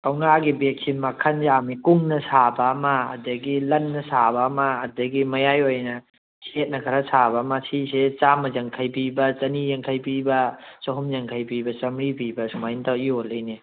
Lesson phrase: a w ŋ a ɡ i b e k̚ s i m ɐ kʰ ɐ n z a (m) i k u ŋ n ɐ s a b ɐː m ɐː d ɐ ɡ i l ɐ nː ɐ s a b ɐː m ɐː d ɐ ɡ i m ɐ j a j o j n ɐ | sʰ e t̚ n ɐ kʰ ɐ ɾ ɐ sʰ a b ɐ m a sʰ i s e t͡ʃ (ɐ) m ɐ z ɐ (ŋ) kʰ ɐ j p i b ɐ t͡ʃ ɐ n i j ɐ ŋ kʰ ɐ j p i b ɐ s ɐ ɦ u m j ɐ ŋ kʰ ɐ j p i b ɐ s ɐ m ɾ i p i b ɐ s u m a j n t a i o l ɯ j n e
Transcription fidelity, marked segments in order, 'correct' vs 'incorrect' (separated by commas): correct, incorrect, correct